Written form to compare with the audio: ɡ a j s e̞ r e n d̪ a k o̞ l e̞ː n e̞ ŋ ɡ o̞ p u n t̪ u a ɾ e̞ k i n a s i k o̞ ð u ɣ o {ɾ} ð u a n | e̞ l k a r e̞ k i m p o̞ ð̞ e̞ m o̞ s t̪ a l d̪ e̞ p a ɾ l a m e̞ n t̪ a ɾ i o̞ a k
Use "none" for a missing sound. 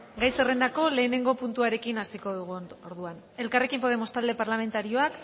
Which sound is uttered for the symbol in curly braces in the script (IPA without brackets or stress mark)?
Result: ɾ